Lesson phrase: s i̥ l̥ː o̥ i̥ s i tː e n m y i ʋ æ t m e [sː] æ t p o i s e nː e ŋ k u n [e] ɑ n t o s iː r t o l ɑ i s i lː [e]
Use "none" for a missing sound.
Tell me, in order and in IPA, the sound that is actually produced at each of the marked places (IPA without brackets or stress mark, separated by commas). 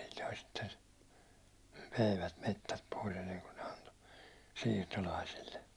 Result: tː, e, e